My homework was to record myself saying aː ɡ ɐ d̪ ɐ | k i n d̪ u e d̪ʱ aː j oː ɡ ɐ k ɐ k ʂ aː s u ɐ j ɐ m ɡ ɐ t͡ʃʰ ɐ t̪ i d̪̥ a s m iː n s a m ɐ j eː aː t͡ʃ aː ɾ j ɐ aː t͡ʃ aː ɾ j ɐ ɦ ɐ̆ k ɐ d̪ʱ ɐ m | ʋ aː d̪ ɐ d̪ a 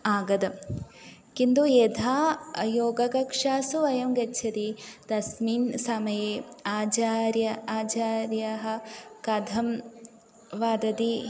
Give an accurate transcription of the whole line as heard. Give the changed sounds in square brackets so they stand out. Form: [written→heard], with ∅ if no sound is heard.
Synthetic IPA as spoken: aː ɡ ɐ d̪ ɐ | k i n d̪ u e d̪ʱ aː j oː ɡ ɐ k ɐ k ʂ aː s u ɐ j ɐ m ɡ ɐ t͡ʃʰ ɐ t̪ i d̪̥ [a→ɐ] s m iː n s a m ɐ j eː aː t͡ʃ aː ɾ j ɐ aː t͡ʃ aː ɾ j ɐ ɦ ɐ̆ k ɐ d̪ʱ ɐ m | ʋ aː d̪ ɐ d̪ [a→i]